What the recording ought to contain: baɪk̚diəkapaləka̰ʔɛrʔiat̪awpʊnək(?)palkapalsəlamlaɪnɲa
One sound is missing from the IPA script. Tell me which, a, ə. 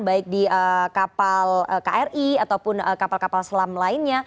a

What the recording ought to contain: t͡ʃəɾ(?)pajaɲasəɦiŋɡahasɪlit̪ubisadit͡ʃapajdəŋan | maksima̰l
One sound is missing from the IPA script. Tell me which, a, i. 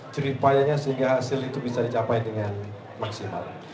i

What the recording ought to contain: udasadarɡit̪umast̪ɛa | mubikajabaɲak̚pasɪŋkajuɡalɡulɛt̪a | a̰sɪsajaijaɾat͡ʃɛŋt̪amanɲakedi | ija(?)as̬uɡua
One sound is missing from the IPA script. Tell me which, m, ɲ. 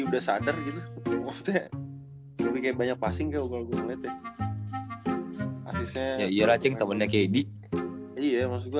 m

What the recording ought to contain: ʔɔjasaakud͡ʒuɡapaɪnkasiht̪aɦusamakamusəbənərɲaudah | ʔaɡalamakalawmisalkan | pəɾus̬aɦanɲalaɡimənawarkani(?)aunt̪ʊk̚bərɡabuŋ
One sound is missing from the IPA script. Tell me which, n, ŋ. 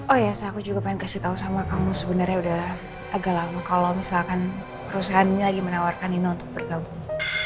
n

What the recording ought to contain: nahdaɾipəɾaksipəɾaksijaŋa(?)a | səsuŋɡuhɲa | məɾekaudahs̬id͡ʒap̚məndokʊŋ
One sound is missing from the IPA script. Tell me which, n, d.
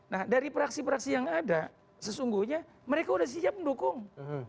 d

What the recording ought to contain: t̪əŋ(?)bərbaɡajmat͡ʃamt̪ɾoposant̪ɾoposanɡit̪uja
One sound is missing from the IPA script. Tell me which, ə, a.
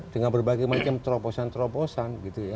a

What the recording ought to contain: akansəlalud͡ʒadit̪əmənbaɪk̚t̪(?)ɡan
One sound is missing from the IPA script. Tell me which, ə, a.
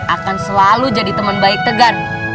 ə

